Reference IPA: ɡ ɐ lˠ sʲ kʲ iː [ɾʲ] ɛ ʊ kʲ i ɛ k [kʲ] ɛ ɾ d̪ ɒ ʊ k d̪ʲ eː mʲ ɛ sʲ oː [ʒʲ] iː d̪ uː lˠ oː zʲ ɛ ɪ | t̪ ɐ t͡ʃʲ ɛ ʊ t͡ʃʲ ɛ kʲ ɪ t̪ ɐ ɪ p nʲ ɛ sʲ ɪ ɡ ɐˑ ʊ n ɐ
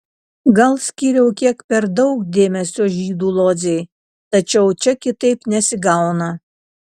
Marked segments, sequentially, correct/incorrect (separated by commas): correct, incorrect, correct